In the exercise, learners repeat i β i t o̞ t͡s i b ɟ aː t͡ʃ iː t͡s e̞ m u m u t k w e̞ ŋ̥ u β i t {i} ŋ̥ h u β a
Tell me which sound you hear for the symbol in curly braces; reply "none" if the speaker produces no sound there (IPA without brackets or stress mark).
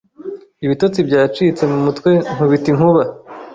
i